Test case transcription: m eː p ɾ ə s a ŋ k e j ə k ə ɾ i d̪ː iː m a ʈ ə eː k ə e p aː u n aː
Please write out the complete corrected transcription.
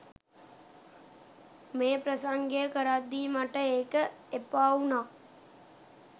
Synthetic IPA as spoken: m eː p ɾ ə s a ŋ ɡ e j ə k ə ɾ a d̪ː iː m a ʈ ə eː k ə e p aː u n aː